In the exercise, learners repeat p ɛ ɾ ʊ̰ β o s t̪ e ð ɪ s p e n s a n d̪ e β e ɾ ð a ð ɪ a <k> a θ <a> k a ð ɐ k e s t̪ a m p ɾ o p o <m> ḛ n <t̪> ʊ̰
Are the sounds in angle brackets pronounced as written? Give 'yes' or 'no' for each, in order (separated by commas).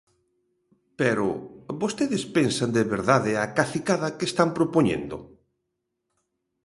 yes, no, no, no